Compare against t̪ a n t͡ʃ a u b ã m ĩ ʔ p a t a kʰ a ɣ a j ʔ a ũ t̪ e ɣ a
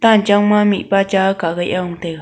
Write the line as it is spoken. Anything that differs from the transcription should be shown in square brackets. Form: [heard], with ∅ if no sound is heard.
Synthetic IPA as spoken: t̪ a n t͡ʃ a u [m] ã m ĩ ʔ p a [t͡ʃ] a [k] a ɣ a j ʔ a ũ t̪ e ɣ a